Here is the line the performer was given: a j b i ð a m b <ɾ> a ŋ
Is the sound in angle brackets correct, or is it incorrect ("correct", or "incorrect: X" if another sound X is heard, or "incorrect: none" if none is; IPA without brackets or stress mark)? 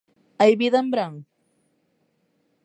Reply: correct